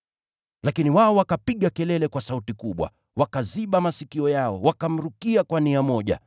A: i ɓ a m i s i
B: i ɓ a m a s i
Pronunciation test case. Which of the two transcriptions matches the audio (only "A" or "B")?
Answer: B